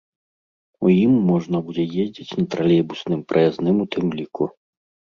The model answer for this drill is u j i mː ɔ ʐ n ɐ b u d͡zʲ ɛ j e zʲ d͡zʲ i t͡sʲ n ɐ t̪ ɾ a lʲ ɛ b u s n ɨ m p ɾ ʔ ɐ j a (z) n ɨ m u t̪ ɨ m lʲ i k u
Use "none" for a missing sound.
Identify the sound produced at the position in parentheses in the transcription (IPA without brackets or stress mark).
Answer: z